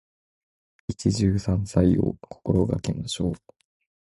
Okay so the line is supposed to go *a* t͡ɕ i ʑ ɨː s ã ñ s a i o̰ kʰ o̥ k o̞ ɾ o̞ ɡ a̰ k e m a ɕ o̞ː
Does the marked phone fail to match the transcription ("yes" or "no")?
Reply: yes